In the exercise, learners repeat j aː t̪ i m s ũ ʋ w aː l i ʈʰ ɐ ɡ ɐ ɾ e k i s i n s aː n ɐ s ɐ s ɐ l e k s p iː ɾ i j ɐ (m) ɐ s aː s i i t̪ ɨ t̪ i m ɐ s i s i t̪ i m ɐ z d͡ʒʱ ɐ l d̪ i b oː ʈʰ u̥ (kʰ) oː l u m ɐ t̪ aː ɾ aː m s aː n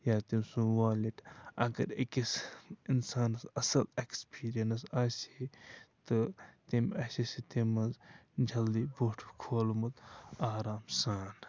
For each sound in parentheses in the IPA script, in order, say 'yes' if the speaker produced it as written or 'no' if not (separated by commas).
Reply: no, yes